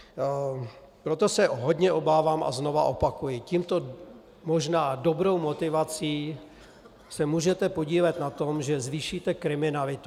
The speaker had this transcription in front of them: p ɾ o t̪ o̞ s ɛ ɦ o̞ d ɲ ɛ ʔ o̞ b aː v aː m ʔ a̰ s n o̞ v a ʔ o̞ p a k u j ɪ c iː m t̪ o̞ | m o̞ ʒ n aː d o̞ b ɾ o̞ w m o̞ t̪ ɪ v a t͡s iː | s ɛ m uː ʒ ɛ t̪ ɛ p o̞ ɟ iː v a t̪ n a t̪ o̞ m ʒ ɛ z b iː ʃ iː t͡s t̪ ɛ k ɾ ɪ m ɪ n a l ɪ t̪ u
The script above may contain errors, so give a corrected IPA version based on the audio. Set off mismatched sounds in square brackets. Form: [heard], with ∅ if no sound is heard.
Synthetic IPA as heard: p ɾ o t̪ o̞ s ɛ ɦ o̞ d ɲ ɛ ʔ o̞ b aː v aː m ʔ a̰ [z] n o̞ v a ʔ o̞ p a k u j ɪ c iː m t̪ o̞ | m o̞ ʒ n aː d o̞ b ɾ o̞ w m o̞ t̪ ɪ v a t͡s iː | s ɛ m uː ʒ ɛ t̪ ɛ p o̞ ɟ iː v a t̪ n a t̪ o̞ m ʒ ɛ z [v] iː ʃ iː [∅] t̪ ɛ k ɾ ɪ m ɪ n a l ɪ t̪ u